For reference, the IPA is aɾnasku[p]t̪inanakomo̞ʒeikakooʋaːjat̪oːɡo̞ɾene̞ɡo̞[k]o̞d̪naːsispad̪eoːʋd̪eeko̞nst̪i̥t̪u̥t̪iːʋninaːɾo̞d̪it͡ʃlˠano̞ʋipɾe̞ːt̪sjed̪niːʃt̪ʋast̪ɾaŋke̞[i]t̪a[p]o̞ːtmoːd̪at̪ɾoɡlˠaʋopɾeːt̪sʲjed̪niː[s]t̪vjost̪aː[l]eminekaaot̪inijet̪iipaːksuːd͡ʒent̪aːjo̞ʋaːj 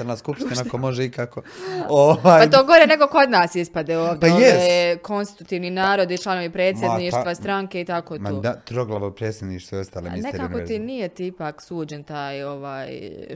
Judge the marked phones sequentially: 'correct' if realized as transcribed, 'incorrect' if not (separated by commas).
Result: correct, correct, correct, incorrect, incorrect, correct